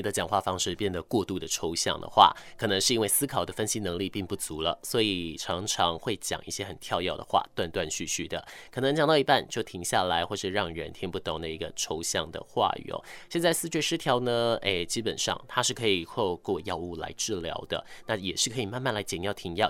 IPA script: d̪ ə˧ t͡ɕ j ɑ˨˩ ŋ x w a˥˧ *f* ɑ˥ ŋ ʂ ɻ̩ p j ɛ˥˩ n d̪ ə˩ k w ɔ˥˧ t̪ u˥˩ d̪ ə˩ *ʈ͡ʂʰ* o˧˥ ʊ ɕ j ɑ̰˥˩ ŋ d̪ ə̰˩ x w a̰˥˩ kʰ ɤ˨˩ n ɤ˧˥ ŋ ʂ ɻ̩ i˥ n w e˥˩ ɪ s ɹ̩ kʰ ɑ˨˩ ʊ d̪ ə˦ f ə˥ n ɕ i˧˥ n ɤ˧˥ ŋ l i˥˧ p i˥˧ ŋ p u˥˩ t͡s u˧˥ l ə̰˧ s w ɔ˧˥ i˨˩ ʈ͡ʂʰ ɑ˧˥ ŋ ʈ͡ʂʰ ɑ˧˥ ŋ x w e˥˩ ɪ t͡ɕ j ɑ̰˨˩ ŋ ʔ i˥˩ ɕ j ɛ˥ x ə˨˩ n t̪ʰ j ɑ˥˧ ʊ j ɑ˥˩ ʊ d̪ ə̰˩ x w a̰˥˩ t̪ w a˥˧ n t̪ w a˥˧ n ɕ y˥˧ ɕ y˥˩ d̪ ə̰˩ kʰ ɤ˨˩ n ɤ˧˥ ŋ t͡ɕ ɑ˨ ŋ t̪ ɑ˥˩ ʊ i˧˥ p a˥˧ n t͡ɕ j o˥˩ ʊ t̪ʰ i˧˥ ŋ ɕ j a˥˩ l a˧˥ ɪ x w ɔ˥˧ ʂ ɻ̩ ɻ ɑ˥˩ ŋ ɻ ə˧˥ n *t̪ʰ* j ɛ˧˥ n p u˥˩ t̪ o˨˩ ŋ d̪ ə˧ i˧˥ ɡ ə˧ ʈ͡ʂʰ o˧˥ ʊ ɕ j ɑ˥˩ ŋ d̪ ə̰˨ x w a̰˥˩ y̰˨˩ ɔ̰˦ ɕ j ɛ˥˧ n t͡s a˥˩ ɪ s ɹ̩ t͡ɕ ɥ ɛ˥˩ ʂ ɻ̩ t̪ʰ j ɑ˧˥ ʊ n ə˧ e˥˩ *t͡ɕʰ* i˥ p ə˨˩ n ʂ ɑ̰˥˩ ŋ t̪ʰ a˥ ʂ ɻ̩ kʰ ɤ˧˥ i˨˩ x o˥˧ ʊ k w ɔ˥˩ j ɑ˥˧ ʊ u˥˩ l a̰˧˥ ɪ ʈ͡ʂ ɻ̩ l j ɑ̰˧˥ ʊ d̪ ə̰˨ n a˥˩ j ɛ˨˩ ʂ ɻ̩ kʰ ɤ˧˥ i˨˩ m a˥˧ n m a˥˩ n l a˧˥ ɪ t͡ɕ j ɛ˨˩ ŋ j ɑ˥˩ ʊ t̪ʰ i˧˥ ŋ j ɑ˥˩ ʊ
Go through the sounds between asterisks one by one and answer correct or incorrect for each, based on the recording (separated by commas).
correct, correct, correct, incorrect